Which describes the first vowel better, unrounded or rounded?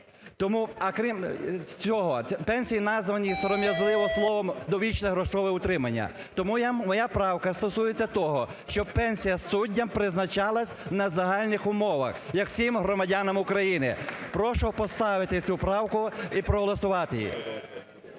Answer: rounded